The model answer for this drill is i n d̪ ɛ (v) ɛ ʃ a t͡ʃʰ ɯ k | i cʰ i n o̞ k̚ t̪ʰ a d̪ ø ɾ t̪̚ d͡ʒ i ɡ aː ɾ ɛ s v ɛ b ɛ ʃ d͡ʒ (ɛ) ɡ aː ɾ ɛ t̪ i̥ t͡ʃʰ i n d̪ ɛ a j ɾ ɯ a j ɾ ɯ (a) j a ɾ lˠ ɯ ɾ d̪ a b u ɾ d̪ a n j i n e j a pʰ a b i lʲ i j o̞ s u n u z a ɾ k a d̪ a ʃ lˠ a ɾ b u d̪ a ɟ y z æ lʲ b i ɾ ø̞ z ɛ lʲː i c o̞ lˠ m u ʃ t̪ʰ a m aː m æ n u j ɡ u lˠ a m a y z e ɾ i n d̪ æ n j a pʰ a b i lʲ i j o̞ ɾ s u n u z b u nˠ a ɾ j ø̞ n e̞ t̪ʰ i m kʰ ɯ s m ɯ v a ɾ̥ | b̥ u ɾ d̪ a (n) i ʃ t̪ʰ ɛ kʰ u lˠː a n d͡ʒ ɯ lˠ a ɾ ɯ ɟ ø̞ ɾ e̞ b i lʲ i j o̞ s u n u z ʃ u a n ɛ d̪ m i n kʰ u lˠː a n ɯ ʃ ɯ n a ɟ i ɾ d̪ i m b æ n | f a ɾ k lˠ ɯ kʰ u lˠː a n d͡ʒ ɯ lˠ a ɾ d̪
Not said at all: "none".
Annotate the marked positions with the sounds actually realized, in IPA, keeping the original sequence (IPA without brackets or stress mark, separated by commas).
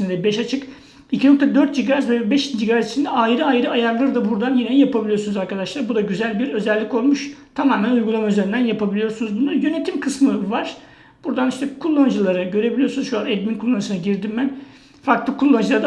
b, i, a, n